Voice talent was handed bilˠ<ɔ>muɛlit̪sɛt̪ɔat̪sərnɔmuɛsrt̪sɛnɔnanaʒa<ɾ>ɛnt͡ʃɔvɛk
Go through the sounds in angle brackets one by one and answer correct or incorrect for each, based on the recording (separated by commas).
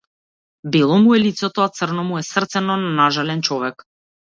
correct, incorrect